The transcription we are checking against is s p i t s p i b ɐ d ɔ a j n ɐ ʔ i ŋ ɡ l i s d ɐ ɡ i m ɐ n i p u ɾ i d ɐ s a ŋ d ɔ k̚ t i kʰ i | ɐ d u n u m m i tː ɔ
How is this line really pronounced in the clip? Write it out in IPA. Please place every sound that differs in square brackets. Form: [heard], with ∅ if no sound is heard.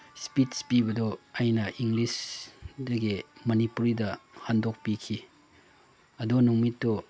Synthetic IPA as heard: s p i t s p i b ɐ d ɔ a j n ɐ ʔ i ŋ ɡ l i s d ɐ ɡ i m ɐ n i p u ɾ i d ɐ [h] a [n] d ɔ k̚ [p] i kʰ i | ɐ d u n u [ŋ] m i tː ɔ